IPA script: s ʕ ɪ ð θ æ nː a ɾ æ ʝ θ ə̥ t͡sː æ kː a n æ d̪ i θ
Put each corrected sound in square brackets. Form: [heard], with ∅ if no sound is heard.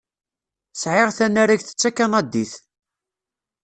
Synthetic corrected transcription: s ʕ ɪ [ʁ] θ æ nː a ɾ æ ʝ θ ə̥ t͡sː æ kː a n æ d̪ i θ